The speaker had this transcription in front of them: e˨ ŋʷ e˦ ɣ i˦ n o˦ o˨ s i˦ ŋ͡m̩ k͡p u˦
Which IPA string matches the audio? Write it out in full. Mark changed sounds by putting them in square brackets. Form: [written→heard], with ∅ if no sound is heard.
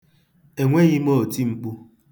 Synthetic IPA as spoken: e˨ ŋʷ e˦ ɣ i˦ [n→m] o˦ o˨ [s→t] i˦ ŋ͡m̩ k͡p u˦